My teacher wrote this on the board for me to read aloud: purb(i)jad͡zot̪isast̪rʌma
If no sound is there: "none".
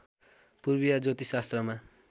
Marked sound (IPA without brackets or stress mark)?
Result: i